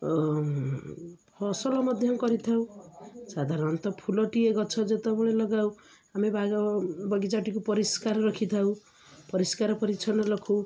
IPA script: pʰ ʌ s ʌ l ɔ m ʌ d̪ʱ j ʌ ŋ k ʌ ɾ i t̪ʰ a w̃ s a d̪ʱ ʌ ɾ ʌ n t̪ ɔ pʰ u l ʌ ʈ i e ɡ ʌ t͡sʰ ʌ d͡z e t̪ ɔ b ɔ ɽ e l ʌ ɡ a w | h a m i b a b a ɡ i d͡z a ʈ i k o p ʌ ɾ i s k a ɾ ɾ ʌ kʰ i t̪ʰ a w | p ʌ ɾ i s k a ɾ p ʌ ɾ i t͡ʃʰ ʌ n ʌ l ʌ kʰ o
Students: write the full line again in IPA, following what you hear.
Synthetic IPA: pʰ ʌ s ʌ l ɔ m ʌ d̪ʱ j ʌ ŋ k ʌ ɾ i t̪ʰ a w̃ s a d̪ʱ a ɾ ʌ n t̪ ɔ pʰ u l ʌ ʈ i e ɡ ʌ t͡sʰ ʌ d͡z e t̪ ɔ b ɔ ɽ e l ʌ ɡ a w | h a m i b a b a ɡ i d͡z a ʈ i k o p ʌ ɾ i s k a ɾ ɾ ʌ kʰ i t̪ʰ a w | p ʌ ɾ i s k a ɾ p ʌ ɾ i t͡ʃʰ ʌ n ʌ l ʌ kʰ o